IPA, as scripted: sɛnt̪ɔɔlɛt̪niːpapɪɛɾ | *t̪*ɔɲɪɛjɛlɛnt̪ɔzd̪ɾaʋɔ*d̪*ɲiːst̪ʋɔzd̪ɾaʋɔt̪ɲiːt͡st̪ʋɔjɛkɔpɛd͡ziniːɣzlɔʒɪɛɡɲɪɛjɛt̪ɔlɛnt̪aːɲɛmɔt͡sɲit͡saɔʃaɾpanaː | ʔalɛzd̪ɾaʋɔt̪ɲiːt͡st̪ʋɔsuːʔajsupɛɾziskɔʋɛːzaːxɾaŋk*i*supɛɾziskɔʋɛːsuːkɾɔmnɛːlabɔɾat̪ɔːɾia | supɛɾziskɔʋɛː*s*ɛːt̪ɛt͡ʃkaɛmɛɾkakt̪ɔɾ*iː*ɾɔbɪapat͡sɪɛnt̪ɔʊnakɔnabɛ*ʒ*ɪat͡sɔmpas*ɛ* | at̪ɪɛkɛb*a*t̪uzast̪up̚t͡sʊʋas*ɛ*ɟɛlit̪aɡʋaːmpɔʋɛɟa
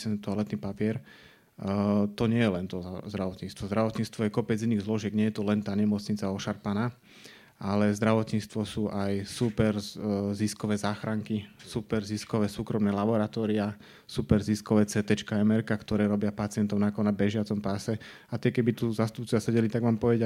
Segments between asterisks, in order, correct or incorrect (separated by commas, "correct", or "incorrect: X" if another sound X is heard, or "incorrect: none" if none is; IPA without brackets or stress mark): correct, incorrect: t̪, correct, incorrect: t͡s, incorrect: ɛː, correct, correct, incorrect: i, correct